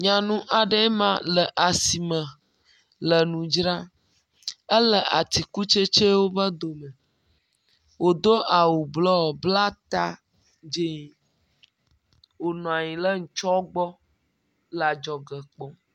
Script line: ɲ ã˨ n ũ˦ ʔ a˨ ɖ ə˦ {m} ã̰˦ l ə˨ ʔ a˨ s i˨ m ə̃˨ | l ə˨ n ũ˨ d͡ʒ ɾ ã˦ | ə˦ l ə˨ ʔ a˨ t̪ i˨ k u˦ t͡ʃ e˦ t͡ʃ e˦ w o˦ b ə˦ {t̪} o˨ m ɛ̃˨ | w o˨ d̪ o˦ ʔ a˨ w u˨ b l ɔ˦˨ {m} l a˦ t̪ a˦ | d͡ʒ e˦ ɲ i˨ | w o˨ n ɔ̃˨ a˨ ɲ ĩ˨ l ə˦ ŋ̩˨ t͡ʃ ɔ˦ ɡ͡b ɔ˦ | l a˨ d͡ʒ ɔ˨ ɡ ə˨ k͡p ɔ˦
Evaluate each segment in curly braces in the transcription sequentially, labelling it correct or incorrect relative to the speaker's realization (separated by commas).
correct, incorrect, incorrect